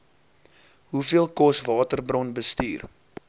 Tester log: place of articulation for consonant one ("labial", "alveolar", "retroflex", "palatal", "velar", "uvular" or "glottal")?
glottal